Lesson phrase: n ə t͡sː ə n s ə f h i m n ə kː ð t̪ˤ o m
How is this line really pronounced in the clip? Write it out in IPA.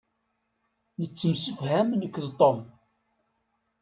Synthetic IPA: n ə t͡sː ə m s ə f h æ m n ə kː ð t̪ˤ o m